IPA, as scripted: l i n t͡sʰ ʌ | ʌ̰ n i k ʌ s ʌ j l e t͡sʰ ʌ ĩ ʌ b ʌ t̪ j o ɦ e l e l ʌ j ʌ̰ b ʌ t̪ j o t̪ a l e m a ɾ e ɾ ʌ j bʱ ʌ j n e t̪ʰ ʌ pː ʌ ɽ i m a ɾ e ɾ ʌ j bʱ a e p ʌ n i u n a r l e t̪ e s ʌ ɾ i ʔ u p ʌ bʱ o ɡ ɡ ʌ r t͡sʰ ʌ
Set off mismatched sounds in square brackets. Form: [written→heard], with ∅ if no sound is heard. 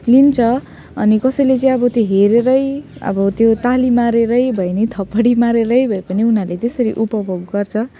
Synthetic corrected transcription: l i n t͡sʰ ʌ | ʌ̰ n i k ʌ s ʌ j l e [t͡sʰ→t͡s] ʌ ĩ ʌ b ʌ t̪ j o ɦ e [l→ɾ] e [l→ɾ] ʌ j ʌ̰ b ʌ t̪ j o t̪ a l [e→i] m a ɾ e ɾ ʌ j bʱ ʌ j n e t̪ʰ ʌ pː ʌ ɽ i m a ɾ e ɾ ʌ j bʱ [a→ʌ] e p ʌ n i u n a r l e t̪ e s ʌ ɾ i ʔ u p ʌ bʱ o ɡ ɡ ʌ r t͡sʰ ʌ